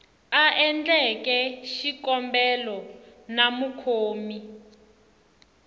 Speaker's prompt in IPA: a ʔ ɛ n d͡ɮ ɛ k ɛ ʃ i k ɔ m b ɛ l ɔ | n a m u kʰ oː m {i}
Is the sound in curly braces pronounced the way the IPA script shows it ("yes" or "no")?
yes